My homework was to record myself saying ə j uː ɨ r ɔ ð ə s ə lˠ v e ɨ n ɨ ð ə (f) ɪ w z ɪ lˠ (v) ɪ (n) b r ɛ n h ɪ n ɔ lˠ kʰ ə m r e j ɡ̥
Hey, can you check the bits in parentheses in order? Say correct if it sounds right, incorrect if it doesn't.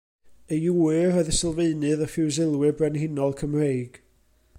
correct, incorrect, incorrect

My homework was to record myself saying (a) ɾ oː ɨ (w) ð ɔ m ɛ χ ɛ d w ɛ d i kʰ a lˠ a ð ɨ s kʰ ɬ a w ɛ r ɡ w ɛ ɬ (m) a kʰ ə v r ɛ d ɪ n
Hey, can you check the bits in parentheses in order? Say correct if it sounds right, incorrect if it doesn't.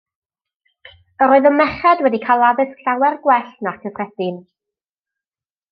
incorrect, incorrect, incorrect

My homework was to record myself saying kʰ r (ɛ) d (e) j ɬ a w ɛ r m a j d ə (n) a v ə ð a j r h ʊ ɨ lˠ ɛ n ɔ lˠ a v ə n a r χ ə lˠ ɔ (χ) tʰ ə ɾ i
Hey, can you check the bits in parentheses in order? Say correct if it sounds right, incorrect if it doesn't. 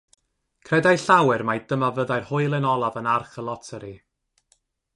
correct, incorrect, incorrect, incorrect

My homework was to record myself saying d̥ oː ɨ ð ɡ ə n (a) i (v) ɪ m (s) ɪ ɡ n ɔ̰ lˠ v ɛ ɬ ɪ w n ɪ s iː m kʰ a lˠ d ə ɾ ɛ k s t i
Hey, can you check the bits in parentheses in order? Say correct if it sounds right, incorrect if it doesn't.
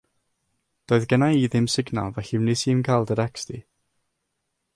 correct, incorrect, correct

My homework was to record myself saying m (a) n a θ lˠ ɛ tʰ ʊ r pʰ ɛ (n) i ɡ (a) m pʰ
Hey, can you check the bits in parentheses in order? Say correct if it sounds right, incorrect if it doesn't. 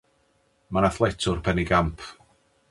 correct, correct, correct

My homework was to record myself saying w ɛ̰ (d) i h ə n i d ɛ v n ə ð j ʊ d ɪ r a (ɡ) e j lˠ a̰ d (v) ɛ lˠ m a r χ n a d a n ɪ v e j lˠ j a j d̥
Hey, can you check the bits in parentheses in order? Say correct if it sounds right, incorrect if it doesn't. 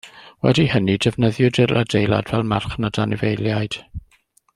correct, incorrect, correct

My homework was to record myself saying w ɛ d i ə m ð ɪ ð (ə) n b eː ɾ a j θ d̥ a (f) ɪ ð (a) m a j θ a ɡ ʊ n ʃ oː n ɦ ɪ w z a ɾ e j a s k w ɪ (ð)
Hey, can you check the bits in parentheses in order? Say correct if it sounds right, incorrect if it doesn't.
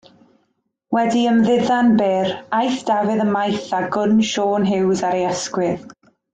incorrect, incorrect, incorrect, correct

